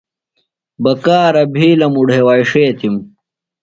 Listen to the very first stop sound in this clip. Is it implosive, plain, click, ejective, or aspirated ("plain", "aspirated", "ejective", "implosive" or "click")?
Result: plain